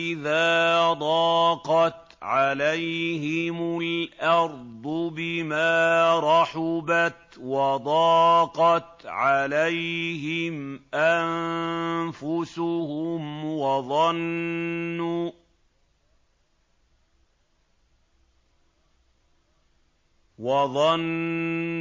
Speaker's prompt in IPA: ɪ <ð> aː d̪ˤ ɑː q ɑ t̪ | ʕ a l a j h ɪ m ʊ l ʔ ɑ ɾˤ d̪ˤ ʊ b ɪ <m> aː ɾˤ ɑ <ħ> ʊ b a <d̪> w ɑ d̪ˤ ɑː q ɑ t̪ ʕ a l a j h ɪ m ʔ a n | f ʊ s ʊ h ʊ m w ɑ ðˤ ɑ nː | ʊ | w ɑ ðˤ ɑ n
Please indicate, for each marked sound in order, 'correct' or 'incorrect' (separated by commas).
correct, correct, correct, incorrect